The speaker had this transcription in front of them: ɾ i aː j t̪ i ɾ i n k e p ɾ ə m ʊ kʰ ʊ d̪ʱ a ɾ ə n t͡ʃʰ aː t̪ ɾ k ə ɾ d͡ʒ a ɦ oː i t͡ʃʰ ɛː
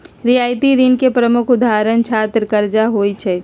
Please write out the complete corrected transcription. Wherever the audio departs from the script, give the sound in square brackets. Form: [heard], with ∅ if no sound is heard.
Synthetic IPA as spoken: ɾ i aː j t̪ i ɾ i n k e p ɾ ə m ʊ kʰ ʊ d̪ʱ a ɾ ə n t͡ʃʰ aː t̪ ɾ k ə ɾ d͡ʒ a ɦ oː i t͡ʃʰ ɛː